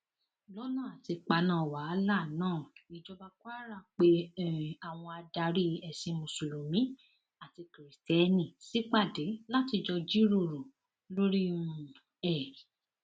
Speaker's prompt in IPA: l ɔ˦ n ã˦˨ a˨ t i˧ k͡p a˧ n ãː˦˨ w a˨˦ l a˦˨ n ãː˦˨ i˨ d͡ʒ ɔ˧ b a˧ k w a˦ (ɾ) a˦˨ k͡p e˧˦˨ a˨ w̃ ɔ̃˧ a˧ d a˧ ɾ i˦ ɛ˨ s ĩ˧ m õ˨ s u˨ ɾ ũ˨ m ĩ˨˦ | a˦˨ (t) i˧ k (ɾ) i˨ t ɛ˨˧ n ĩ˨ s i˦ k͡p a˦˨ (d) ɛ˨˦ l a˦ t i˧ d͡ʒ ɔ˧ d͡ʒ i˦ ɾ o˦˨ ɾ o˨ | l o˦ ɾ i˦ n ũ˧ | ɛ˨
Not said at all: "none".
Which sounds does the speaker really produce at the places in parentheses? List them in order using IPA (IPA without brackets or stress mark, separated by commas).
ɾ, t, ɾ, d